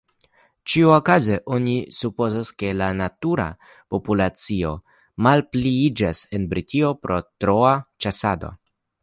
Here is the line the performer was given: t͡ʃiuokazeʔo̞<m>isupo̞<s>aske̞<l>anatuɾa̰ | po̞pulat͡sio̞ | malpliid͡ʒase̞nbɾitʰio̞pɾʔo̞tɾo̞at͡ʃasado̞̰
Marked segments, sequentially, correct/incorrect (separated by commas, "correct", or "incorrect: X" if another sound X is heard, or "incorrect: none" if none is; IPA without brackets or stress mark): incorrect: n, incorrect: z, correct